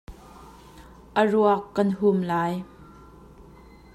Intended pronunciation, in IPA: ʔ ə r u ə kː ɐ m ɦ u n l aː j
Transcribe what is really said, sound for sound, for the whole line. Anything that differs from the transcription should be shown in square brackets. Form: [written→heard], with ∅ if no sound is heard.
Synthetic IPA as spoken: ʔ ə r u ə kː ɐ [m→n] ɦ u [n→m] l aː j